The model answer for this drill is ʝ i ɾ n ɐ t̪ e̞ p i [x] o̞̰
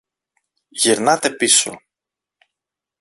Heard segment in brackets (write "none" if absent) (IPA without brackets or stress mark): s